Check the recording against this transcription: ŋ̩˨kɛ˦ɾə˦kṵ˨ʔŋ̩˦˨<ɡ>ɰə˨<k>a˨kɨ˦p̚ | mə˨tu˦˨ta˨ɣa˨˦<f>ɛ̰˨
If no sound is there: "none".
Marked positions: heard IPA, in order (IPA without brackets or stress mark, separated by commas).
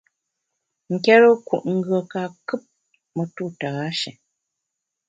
ɡ, k, ʃ